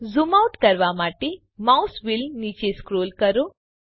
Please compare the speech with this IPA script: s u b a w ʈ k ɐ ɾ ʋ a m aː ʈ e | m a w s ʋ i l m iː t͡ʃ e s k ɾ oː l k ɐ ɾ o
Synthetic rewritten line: z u m a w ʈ k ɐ ɾ ʋ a m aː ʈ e | m a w s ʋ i l n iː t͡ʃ e s k ɾ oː l k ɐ ɾ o